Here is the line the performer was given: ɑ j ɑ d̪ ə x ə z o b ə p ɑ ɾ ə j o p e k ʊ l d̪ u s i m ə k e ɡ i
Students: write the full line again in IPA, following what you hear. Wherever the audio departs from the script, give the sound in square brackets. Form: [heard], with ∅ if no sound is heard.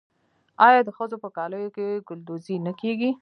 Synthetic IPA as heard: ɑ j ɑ d̪ ə x ə z o [p] ə [k] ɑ [l] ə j o [k] e [ɡ] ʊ l d̪ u [z] i [n] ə k e ɡ i